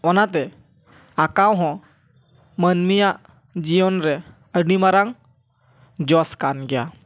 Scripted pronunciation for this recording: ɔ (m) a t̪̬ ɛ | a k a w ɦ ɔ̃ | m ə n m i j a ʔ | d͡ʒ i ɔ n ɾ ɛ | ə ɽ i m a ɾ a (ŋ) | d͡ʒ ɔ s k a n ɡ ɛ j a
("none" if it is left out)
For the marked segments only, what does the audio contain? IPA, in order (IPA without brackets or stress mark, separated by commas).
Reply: n, ŋ